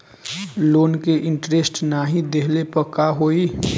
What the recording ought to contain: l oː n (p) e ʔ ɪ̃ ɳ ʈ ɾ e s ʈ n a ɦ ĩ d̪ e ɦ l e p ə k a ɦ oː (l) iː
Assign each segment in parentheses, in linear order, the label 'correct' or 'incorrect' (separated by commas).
incorrect, incorrect